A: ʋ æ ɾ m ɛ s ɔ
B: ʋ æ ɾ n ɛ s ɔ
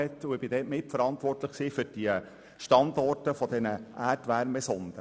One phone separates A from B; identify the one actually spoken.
A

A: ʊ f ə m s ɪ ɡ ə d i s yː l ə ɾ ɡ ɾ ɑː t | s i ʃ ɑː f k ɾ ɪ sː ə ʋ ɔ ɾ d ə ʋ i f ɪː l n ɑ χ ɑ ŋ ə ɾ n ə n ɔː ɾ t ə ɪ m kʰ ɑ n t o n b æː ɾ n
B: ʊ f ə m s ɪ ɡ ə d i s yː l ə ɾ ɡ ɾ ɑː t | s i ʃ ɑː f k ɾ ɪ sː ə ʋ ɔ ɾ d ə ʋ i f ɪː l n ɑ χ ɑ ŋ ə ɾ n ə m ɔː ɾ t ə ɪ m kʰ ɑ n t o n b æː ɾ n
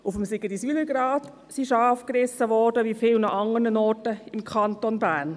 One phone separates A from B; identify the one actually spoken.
A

